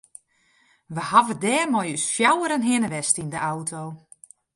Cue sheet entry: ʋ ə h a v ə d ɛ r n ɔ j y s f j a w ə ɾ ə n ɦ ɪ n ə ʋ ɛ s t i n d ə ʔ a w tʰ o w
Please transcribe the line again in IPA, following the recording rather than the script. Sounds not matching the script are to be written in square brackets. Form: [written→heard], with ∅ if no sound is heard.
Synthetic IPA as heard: ʋ ə h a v ə d [ɛ→ɛː] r [n→m] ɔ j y s f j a w ə ɾ ə n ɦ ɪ n ə ʋ ɛ s t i n d ə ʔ a w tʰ o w